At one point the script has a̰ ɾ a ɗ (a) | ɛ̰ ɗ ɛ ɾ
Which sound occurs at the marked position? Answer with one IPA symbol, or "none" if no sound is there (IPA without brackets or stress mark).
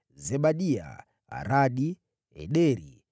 i